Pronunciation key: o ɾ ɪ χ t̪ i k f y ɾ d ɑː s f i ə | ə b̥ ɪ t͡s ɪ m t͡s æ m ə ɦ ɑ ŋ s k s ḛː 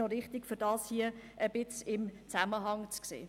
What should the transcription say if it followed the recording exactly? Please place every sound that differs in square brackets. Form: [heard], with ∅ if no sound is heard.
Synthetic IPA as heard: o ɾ ɪ χ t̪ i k f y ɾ d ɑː s [h] i ə | ə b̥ ɪ t͡s ɪ m t͡s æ m ə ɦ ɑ ŋ [t͡s] k s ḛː